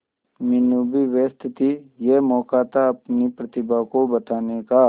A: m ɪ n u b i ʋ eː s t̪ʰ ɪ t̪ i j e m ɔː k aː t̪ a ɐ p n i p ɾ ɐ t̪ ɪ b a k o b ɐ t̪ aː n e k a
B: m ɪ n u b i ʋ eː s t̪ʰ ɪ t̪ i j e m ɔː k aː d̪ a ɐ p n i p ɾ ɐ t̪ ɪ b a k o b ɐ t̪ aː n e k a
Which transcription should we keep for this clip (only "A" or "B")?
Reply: A